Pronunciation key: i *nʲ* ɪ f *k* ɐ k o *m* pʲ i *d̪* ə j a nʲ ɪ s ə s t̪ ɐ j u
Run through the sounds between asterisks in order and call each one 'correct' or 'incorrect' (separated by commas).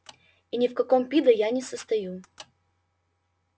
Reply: correct, correct, correct, correct